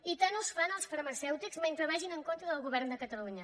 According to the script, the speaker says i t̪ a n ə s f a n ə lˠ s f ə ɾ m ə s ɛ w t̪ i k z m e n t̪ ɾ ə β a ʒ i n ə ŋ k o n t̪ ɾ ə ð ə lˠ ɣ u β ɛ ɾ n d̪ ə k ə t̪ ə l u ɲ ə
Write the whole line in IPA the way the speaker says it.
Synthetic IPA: i t̪ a n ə s f a n ə lˠ s f ə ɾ m ə s ɛ w t̪ i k z m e n t̪ ɾ ə β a ʒ i n ə ŋ k o n t̪ ɾ ə ð ə lˠ ɣ u β ɛ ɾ n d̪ ə k ə t̪ ə l u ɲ ə